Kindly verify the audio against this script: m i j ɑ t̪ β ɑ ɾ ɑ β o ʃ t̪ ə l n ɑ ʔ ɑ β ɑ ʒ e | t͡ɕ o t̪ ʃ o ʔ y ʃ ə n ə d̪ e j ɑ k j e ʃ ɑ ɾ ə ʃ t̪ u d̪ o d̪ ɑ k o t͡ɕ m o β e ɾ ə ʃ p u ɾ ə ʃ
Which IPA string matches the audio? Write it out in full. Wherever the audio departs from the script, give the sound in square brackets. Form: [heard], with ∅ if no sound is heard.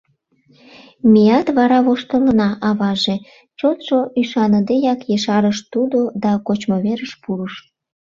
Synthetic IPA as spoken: m i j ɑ t̪ β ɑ ɾ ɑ β o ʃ t̪ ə l n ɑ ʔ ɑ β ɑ ʒ e | t͡ɕ o t̪ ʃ o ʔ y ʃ [ɑ] n ə d̪ e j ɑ k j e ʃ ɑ ɾ ə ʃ t̪ u d̪ o d̪ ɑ k o t͡ɕ m o β e ɾ ə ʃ p u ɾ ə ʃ